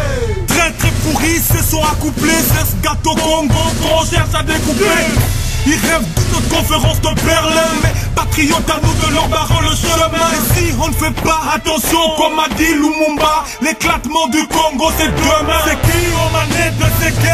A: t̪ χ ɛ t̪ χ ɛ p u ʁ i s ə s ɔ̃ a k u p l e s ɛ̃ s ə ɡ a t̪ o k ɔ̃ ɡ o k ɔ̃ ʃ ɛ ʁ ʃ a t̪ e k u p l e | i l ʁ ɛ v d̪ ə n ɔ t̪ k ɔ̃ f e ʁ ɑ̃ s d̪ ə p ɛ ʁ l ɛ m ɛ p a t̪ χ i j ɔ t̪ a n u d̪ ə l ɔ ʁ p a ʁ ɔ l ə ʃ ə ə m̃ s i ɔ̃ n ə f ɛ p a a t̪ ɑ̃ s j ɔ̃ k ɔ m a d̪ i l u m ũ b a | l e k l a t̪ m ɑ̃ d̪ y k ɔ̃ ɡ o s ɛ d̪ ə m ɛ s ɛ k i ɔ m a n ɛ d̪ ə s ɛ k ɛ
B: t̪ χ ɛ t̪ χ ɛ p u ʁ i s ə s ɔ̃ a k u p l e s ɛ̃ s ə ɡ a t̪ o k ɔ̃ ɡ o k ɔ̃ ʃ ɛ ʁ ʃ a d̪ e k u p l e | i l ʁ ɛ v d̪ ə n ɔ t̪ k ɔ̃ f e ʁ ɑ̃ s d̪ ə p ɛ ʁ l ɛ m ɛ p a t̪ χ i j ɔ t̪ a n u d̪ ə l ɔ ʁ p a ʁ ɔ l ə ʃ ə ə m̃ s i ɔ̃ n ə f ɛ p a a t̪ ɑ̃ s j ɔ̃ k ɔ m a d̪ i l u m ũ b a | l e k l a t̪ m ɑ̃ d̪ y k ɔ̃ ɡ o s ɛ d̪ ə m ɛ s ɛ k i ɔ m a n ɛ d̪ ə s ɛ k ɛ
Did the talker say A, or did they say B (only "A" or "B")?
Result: B